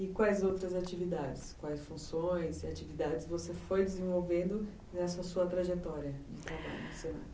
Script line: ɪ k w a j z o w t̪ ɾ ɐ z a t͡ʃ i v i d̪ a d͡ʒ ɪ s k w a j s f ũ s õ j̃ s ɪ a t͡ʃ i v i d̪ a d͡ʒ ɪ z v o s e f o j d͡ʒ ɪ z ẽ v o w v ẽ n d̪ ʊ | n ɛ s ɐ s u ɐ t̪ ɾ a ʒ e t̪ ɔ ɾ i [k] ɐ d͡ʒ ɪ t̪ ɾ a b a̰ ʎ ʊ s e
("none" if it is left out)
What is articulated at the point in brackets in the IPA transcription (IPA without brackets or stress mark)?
none